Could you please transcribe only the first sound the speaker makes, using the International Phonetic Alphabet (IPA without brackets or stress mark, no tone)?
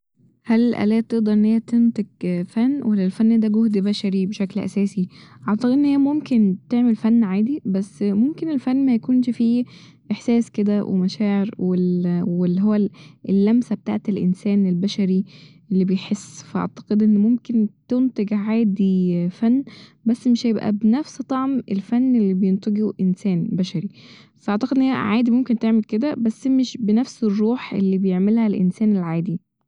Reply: h